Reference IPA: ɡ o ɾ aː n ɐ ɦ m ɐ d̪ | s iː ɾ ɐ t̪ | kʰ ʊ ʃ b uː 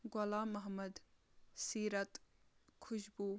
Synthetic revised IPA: ɡ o l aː m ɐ ɦ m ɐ d̪ | s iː ɾ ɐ t̪ | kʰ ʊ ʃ b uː